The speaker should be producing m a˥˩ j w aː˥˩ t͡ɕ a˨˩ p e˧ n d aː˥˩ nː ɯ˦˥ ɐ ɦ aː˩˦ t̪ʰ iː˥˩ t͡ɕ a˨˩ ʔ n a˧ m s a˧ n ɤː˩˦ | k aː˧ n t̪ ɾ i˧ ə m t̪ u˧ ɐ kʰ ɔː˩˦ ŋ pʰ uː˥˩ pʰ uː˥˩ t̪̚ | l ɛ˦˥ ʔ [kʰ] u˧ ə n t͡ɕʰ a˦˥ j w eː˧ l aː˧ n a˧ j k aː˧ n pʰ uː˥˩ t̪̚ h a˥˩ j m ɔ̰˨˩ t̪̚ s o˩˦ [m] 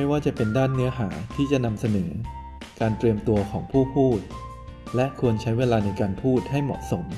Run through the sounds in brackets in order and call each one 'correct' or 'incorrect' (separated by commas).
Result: correct, correct